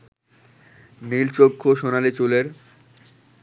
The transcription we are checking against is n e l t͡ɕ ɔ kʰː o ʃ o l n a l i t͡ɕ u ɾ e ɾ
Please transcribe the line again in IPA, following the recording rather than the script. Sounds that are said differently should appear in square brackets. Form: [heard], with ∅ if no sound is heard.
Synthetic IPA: n [i] l t͡ɕ [o] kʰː o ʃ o [∅] n a l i t͡ɕ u [l] e ɾ